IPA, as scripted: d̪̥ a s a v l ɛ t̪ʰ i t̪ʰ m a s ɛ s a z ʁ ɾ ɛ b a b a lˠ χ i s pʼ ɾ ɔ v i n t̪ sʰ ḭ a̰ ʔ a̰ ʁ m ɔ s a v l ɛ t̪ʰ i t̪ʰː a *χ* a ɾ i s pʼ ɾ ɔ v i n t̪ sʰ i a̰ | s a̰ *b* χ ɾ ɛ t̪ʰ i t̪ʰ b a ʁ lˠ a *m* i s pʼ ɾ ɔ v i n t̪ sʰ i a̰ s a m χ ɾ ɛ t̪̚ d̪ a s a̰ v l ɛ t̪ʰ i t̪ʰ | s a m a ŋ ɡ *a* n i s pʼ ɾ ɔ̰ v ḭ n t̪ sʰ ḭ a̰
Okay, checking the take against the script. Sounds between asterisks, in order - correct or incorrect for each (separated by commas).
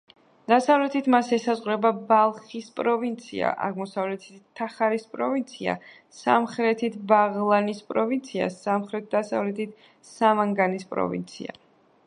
correct, incorrect, incorrect, correct